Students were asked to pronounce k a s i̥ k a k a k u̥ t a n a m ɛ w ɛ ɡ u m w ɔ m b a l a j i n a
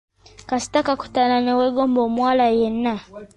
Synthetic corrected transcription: k a s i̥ t a k a k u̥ t a n a n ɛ w ɛ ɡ ɔ m b ɔ m w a l a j ɛ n a